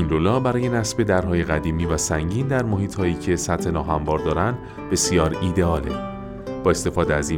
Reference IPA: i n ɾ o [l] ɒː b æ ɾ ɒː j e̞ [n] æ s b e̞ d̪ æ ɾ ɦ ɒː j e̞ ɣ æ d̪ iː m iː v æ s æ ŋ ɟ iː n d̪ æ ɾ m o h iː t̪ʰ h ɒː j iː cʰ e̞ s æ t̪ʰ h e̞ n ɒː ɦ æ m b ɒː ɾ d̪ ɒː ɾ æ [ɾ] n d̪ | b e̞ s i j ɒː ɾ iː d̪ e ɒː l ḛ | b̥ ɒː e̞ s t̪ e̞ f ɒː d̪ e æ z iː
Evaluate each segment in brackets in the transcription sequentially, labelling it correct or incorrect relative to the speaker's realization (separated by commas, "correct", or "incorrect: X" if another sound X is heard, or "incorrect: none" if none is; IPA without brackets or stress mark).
correct, correct, incorrect: none